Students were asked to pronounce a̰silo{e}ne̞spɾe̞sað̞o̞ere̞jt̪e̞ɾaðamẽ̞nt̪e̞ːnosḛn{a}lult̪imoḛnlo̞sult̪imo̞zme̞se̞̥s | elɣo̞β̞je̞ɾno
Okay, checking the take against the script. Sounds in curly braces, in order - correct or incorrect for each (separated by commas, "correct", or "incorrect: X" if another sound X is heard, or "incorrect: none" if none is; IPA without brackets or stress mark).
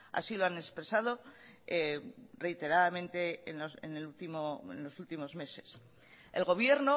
incorrect: a, incorrect: e